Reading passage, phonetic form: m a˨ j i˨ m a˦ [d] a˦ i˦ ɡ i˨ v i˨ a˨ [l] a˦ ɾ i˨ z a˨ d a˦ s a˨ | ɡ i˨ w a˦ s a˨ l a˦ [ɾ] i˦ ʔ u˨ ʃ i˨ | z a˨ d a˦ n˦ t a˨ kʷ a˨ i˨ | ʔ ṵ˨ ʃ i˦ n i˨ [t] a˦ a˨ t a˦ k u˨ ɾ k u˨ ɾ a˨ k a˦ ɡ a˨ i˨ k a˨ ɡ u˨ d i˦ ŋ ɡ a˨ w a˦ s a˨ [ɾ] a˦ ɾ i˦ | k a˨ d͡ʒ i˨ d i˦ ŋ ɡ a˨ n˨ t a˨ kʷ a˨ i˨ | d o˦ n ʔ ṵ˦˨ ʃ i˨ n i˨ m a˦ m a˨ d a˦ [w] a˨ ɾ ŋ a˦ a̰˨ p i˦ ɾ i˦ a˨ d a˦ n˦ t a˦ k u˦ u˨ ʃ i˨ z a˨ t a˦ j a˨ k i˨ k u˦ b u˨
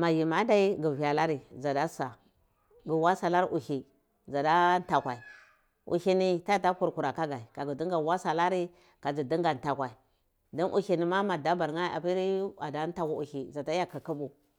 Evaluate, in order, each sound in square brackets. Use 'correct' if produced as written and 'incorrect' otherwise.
correct, correct, correct, correct, incorrect, incorrect

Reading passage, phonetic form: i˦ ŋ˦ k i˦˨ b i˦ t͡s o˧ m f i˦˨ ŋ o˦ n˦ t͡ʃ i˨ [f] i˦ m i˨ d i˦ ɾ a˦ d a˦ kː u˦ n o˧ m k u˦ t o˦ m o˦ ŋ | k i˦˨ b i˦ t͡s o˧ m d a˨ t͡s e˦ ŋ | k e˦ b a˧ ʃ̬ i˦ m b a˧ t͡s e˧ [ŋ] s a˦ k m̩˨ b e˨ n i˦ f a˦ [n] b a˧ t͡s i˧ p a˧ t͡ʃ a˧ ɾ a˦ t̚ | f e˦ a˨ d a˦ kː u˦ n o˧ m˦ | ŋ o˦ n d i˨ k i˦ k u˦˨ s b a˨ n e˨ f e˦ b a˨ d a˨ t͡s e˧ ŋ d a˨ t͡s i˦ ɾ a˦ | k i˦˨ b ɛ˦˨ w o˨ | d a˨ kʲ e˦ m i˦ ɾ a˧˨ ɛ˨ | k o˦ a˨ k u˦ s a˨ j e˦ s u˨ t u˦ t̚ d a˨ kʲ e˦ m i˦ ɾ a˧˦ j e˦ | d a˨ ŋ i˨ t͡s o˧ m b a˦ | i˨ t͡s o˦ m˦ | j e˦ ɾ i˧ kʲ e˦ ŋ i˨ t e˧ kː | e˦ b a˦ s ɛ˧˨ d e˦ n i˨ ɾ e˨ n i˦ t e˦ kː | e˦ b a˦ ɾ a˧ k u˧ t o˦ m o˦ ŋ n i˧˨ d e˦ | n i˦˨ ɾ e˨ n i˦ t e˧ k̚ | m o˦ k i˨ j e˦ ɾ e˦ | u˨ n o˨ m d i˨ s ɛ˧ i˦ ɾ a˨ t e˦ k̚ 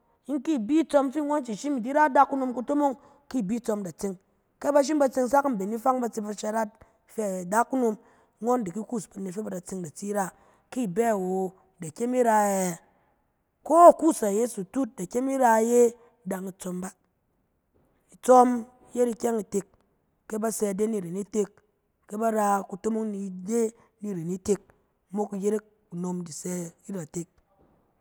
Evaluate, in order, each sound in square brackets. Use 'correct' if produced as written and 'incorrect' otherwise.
incorrect, correct, incorrect

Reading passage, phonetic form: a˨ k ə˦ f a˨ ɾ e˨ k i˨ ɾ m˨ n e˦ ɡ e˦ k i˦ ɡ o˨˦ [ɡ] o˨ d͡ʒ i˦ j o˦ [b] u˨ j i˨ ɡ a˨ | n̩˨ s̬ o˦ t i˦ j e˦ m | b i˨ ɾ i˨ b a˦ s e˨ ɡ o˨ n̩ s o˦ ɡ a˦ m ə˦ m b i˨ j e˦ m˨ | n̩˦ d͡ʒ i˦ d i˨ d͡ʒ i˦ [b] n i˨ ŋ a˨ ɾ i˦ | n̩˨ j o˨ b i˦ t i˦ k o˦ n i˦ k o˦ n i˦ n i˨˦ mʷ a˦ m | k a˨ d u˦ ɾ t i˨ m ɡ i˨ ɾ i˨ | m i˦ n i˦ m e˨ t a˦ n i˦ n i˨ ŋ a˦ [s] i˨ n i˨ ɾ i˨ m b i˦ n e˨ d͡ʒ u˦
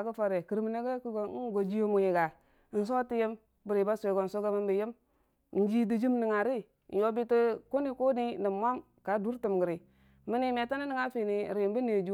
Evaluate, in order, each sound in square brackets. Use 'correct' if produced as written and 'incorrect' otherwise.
correct, incorrect, incorrect, incorrect

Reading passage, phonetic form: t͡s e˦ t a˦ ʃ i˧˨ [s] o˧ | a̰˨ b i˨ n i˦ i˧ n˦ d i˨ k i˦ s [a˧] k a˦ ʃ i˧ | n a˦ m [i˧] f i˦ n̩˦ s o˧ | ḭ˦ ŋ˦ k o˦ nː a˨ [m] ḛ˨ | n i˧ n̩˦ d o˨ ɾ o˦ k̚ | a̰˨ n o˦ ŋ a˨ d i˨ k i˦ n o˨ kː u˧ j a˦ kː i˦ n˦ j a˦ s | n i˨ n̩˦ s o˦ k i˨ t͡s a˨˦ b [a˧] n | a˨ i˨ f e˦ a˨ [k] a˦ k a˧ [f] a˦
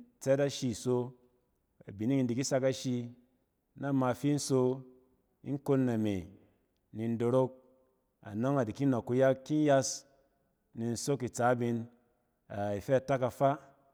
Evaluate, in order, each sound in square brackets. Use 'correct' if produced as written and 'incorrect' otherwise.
correct, correct, incorrect, correct, incorrect, incorrect, correct

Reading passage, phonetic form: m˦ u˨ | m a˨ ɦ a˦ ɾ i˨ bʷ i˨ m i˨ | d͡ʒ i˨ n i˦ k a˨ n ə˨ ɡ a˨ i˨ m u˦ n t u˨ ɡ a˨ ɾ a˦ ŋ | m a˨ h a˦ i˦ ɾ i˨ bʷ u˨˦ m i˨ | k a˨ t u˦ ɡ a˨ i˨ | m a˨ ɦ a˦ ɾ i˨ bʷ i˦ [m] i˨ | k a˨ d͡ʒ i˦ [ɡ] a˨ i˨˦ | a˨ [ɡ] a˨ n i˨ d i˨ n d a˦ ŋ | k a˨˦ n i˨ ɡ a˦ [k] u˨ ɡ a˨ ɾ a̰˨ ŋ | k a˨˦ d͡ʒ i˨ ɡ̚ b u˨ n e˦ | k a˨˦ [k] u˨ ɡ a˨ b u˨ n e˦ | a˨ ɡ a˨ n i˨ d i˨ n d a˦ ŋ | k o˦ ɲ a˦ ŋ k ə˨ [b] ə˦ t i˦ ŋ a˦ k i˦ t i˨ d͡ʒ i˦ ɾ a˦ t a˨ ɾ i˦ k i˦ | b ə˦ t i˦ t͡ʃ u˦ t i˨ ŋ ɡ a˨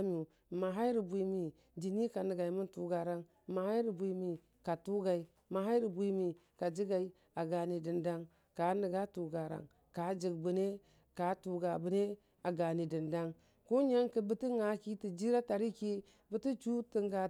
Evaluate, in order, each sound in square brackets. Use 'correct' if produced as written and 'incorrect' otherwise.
correct, correct, correct, incorrect, incorrect, correct

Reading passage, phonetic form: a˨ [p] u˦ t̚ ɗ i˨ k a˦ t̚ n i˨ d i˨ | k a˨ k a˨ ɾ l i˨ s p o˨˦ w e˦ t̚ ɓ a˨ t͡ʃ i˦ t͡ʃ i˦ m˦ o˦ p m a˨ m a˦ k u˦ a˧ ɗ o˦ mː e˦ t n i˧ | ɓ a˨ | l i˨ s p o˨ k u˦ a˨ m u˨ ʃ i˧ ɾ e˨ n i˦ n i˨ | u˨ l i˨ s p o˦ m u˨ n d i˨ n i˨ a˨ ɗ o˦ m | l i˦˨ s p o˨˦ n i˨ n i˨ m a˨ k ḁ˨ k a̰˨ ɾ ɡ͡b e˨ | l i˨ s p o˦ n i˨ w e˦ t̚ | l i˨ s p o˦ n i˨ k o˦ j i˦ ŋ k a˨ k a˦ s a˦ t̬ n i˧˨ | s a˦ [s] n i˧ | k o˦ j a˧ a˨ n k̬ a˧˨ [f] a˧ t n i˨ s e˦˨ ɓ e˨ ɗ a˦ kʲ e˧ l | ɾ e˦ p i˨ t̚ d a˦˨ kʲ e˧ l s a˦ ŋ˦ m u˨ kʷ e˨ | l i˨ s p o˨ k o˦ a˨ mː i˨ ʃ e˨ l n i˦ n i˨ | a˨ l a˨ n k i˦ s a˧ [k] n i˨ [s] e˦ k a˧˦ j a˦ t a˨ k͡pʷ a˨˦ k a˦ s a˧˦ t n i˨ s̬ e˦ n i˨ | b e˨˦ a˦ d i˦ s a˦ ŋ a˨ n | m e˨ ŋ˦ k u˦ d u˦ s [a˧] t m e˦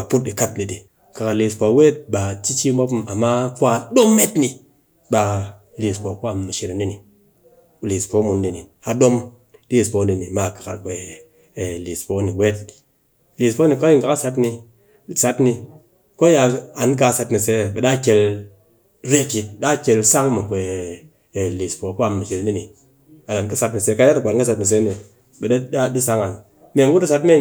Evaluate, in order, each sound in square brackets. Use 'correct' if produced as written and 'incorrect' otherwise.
correct, incorrect, incorrect, incorrect, correct, correct

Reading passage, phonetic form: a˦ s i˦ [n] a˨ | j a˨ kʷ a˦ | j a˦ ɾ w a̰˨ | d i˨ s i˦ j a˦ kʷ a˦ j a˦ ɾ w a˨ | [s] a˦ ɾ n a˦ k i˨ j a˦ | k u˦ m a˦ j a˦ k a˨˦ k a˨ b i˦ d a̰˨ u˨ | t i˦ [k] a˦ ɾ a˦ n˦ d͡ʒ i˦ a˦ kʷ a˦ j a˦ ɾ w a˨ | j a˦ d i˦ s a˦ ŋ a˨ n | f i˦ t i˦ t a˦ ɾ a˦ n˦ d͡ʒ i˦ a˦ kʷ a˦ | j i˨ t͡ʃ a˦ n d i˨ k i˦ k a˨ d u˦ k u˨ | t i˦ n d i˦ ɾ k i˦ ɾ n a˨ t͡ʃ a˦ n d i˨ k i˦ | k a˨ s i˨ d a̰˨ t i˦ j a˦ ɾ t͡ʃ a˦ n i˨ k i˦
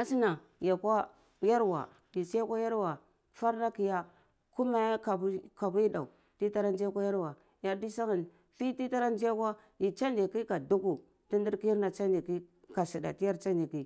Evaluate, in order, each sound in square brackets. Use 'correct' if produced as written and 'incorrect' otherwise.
correct, incorrect, incorrect

